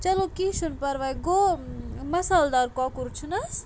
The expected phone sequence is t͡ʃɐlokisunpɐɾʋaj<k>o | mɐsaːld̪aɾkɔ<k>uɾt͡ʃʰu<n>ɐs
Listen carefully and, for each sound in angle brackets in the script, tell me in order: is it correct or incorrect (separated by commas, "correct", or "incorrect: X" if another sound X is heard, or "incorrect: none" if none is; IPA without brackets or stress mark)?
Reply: incorrect: ɡ, correct, correct